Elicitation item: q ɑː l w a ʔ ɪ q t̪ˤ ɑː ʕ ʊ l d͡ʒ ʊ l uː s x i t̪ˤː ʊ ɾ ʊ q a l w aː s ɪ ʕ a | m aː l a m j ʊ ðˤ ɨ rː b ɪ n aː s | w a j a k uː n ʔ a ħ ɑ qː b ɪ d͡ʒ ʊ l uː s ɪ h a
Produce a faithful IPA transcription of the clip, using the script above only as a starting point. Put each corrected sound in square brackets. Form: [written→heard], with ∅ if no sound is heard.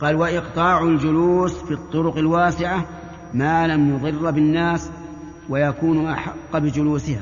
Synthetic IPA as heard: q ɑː l w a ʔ ɪ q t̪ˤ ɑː ʕ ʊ l d͡ʒ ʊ l uː s [x→f] i t̪ˤː ʊ ɾ ʊ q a l w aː s ɪ ʕ a | m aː l a m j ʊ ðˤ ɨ rː b ɪ [n→nː] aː s | w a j a k uː n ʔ a ħ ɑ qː b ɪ d͡ʒ ʊ l uː s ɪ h a